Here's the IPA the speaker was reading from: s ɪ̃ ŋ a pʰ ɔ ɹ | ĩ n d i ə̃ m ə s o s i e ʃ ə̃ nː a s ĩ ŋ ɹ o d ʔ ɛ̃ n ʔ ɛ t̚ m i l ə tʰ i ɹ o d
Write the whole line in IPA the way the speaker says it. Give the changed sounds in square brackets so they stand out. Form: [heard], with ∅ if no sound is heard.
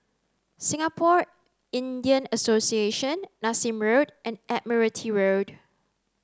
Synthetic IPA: s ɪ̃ ŋ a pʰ ɔ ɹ | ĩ n d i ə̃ [n] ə s o s i e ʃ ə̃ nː a s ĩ [m] ɹ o d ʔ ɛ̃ n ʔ ɛ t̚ m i [ɹ] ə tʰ i ɹ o d